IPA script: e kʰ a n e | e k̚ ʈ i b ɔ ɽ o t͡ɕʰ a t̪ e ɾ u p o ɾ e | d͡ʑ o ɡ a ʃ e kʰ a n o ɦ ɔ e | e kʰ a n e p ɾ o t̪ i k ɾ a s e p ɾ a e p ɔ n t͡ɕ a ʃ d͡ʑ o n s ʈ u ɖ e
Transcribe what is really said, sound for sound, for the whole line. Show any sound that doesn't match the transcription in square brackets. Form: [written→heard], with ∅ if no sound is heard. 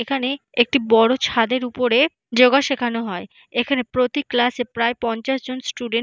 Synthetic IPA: e kʰ a n e | e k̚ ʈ i b ɔ ɽ o t͡ɕʰ a [t̪→d̪] e ɾ u p o ɾ e | d͡ʑ o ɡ a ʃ e kʰ a n o ɦ ɔ e | e kʰ a n e p ɾ o t̪ i k [ɾ→l] a s e p ɾ a e p ɔ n t͡ɕ a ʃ d͡ʑ o n s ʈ u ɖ e